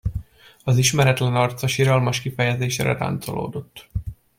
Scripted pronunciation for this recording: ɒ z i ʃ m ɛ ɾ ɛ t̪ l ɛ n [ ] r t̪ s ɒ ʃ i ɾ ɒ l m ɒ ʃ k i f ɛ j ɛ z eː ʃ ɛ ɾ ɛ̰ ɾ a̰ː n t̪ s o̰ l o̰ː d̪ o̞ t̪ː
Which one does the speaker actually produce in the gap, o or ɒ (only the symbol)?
ɒ